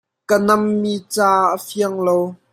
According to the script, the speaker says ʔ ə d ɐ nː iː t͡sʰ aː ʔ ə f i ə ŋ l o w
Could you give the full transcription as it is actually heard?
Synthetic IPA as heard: k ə n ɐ mː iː t͡s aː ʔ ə f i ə ŋ l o w